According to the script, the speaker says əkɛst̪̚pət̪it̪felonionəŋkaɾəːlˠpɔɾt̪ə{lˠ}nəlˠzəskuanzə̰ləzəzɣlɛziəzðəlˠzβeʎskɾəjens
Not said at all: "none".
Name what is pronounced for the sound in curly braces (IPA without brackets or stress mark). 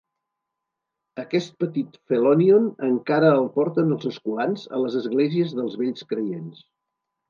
none